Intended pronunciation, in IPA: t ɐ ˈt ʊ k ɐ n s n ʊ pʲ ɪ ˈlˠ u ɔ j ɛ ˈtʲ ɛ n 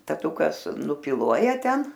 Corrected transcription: t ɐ ˈt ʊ k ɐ s n ʊ pʲ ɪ ˈlˠ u ɔ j ɛ ˈtʲ ɛ n